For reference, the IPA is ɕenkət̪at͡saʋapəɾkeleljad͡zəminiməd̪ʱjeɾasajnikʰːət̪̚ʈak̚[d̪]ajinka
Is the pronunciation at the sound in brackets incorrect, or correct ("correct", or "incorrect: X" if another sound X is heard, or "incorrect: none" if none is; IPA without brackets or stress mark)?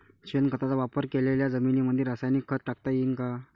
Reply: incorrect: t̪